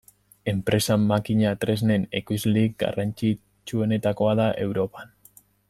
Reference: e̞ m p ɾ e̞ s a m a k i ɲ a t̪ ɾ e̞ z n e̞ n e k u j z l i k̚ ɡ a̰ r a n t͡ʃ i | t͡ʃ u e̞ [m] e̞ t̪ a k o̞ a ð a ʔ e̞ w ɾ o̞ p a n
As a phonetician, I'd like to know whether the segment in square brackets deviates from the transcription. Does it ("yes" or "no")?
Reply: yes